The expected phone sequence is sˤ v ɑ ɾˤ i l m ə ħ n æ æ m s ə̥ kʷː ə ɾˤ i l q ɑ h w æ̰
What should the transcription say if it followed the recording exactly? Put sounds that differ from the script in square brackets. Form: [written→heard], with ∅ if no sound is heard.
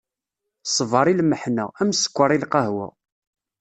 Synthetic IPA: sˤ v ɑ ɾˤ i l m ə ħ n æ æ m s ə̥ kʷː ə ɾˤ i l q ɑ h w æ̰

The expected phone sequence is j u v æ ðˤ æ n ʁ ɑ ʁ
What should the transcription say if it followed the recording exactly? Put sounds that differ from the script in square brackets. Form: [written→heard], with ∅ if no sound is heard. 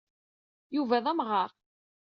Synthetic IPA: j u v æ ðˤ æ [n→m] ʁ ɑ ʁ

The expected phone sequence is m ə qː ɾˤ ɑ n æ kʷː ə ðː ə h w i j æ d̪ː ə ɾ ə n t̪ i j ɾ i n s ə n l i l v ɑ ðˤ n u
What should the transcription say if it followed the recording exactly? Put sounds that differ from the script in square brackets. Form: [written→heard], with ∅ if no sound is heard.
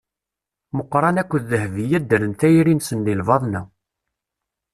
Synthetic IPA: m ə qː ɾˤ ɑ n æ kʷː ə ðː ə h [w→v] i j æ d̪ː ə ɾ ə n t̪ [i→æ] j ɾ i n s ə n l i l v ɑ ðˤ n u

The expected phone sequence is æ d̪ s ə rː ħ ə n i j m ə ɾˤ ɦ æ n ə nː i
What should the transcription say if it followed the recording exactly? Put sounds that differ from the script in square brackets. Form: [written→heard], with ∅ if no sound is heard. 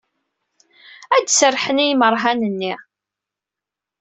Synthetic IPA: æ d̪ s ə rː ħ ə n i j m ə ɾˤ ɦ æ n ə nː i

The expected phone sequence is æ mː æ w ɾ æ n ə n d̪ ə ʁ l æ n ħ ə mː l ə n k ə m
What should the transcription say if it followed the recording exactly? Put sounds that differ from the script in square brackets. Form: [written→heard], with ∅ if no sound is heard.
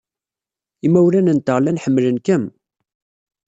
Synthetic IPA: [æ→i] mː æ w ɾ æ n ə n [d̪→t̪] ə ʁ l æ n ħ ə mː l ə n k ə m

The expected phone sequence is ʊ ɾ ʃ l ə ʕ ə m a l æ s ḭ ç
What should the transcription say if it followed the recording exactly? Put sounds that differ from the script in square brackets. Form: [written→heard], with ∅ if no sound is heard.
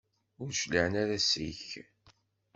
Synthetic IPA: ʊ ɾ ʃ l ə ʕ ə [m→n] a [l→ɾ] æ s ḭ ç

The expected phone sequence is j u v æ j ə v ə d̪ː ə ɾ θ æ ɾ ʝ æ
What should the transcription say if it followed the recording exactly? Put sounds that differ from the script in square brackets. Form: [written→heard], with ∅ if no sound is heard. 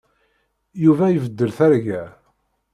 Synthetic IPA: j u v æ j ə v ə d̪ː ə [ɾ→l] θ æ ɾ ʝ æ

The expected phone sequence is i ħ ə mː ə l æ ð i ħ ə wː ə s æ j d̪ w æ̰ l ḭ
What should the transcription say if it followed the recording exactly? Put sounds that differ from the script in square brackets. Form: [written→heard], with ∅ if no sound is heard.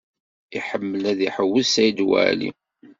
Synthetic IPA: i ħ ə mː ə l æ ð i ħ ə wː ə s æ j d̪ w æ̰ l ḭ

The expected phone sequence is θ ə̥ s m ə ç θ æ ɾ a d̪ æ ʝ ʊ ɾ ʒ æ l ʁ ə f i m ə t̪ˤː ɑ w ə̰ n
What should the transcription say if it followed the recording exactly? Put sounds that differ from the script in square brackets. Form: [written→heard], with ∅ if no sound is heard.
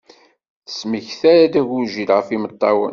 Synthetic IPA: θ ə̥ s m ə ç θ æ ɾ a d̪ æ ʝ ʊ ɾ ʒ [æ→i] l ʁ ə f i m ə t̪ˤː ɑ w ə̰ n

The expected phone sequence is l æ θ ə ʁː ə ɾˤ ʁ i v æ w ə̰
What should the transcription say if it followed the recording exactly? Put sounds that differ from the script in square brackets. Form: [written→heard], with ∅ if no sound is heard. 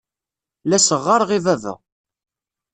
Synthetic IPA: l æ [θ→s] ə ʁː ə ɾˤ ʁ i v æ [w→v] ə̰

